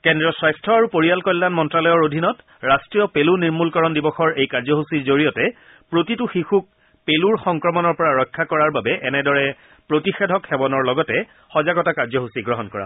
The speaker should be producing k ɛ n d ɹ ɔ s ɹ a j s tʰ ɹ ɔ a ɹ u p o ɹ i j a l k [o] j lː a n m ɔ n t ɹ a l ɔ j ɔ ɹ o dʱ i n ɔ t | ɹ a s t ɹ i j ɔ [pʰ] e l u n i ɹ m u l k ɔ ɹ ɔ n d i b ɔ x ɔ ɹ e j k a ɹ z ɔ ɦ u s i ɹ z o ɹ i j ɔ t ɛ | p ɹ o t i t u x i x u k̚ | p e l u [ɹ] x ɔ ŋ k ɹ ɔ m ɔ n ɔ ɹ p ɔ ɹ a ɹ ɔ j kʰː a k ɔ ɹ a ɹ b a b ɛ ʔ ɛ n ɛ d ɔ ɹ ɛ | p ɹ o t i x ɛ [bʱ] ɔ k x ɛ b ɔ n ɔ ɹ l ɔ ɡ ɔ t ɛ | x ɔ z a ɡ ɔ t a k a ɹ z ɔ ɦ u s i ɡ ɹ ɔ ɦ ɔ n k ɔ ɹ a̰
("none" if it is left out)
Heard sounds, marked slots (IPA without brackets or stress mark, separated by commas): ɔ, p, ɹ, dʱ